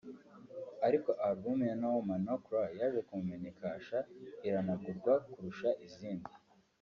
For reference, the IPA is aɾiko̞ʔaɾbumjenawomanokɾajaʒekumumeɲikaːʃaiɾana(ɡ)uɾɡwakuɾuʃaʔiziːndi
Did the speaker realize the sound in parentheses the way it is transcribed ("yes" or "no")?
yes